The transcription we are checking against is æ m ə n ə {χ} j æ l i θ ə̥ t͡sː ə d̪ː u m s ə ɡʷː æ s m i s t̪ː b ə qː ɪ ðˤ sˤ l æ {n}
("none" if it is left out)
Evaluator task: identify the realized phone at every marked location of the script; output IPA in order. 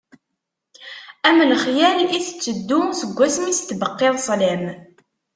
χ, m

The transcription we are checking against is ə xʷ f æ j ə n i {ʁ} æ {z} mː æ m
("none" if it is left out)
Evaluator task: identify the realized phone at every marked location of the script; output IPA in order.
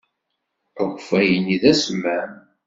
ð, s

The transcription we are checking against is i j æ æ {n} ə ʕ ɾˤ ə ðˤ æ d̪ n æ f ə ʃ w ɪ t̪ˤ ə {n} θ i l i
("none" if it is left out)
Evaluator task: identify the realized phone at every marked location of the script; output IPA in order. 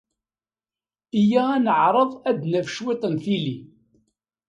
n, n

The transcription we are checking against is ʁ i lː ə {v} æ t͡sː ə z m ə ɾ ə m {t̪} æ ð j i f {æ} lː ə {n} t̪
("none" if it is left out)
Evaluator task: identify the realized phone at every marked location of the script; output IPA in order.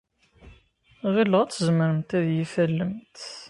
ʁ, t̪, æ, m

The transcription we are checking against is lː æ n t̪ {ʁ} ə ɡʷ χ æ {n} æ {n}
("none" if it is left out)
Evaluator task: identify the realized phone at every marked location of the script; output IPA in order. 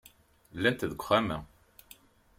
ð, m, none

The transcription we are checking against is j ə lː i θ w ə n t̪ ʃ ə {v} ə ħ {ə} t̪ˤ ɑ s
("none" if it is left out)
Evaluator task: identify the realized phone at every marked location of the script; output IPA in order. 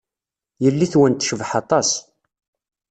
v, ɑ

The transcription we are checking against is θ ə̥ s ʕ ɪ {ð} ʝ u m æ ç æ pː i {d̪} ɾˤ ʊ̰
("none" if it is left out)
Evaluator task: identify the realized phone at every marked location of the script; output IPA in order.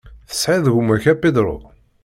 ð, d̪

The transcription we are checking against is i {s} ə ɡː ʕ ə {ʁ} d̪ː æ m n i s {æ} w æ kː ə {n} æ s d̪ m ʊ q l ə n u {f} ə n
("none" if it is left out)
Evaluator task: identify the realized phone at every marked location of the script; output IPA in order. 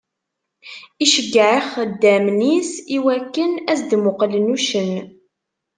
ʃ, χ, i, n, ʃ

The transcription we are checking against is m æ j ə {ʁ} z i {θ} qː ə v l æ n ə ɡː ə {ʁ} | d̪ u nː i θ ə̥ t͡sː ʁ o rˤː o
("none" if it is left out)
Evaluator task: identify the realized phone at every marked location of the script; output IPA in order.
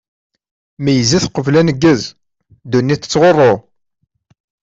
none, θ, z

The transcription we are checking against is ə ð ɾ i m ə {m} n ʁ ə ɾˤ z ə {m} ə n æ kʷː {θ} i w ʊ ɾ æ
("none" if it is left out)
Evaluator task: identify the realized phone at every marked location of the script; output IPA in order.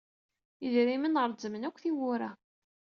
none, m, θ

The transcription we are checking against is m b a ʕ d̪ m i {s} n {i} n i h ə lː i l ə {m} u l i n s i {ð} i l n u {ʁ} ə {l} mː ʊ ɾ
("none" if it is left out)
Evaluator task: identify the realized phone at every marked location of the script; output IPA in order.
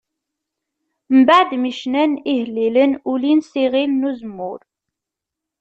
ʃ, æ, n, ʁ, z, none

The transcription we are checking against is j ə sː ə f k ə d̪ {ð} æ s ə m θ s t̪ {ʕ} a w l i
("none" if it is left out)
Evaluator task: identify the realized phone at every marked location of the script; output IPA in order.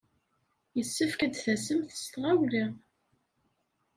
θ, ʁ

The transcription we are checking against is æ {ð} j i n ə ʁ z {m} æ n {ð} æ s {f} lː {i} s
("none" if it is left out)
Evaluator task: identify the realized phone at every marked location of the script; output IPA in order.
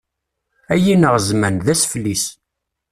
none, m, ð, f, i

